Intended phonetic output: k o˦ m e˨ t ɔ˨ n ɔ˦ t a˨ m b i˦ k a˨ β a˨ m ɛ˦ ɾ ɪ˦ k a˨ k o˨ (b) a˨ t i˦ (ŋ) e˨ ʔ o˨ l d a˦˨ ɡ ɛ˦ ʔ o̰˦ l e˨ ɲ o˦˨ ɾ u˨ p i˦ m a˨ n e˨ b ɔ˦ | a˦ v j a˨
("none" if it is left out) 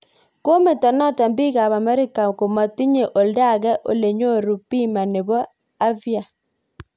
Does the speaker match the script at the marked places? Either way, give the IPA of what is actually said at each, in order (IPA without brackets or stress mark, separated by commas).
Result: m, ɲ